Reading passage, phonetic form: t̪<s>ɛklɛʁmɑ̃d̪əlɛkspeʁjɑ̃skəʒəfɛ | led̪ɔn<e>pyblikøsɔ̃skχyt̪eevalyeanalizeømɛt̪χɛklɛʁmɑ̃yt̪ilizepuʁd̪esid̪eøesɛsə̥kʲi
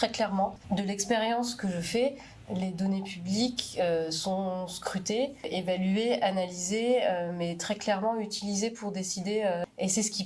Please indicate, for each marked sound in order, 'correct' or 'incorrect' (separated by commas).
incorrect, correct